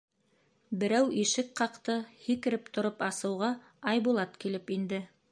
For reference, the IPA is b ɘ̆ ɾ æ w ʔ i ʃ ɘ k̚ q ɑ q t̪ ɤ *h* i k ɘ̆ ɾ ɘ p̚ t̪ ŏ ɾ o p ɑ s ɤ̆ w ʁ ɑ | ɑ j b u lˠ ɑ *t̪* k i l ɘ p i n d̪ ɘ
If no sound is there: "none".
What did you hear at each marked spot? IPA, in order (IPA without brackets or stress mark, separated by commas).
h, t̪